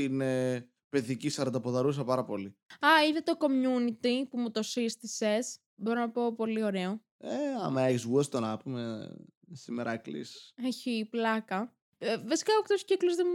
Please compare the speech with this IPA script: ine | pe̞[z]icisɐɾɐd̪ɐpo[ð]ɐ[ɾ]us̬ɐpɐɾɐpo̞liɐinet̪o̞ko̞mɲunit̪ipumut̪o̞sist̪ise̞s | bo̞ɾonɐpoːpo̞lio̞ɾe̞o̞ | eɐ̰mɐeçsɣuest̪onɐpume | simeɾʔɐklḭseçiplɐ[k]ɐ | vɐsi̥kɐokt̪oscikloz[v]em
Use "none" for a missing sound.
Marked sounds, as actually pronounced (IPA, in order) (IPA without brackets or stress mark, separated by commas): ð, ð, ɾ, k, ð